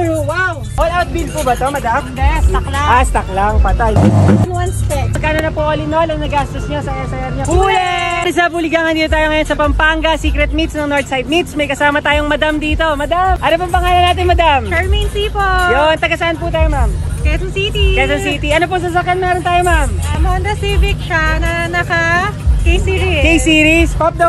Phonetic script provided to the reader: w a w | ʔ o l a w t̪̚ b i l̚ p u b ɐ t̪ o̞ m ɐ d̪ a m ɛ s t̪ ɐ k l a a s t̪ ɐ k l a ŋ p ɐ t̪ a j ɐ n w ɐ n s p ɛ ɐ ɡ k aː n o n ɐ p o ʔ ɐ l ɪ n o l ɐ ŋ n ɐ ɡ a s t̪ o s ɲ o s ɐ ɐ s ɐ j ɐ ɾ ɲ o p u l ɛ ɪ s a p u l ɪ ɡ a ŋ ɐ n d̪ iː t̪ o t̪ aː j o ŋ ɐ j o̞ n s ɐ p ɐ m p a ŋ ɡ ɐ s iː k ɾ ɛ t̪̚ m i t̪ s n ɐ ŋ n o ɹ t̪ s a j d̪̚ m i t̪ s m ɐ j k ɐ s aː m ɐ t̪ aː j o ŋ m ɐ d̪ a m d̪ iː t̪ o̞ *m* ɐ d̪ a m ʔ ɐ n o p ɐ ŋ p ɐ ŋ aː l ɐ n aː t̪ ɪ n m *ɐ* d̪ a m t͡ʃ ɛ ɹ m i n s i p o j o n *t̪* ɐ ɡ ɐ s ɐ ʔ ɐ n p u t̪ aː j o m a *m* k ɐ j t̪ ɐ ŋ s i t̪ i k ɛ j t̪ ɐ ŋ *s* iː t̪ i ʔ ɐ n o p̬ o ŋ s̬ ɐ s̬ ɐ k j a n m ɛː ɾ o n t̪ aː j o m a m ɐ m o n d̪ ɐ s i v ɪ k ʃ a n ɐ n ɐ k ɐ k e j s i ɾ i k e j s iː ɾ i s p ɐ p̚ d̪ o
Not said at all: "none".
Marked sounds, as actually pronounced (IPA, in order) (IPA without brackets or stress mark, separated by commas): m, ɐ, t̪, m, s